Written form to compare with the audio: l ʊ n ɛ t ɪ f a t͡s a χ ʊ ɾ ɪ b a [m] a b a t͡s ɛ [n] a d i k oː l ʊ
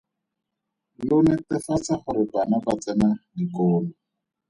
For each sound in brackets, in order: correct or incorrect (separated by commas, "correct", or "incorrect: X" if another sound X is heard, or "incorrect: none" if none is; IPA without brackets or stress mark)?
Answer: incorrect: n, correct